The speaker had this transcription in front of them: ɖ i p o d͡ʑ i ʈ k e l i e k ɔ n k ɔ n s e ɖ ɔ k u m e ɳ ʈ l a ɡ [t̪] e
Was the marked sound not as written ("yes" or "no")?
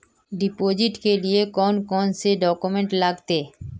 no